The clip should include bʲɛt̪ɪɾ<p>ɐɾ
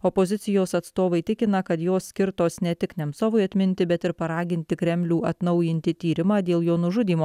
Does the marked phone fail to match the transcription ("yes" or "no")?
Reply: no